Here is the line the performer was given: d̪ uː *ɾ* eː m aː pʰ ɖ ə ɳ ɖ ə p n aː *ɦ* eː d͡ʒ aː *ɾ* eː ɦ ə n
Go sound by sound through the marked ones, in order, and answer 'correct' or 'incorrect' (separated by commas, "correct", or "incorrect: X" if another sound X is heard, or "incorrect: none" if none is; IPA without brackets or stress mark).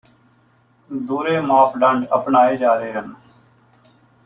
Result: correct, incorrect: none, correct